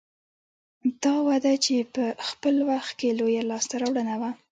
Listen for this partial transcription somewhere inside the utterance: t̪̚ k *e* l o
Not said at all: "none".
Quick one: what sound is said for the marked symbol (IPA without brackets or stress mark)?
e